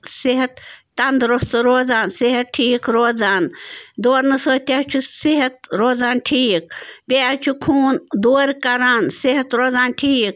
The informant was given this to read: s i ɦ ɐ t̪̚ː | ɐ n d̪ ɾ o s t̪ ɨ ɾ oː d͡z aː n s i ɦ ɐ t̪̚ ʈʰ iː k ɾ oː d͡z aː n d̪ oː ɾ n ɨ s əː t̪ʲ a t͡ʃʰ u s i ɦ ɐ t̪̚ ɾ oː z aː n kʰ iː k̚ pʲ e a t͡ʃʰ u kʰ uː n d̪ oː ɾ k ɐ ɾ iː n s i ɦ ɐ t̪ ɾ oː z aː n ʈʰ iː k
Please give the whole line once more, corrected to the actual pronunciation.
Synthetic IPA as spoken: s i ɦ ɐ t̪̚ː | ɐ n d̪ ɾ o s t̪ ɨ ɾ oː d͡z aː n s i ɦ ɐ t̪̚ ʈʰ iː k ɾ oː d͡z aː n d̪ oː ɾ n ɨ s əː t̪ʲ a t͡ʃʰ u s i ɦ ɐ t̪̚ ɾ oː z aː n ʈʰ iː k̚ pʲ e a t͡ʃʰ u kʰ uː n d̪ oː ɾ k ɐ ɾ aː n s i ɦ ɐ t̪ ɾ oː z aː n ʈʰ iː k